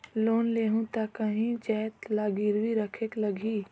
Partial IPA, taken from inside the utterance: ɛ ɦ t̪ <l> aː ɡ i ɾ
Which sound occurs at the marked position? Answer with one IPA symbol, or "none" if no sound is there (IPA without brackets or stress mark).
l